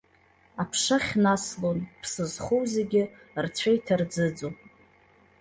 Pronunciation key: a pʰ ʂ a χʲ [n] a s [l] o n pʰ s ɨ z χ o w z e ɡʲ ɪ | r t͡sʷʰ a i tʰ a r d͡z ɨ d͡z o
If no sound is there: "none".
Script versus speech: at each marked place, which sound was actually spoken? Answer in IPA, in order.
n, l

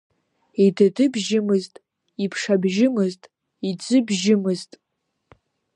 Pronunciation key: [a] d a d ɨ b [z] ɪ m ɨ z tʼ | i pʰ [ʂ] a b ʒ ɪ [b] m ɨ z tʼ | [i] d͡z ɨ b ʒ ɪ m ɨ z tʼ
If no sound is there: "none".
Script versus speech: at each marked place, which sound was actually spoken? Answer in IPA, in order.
i, ʒ, ʂ, none, i

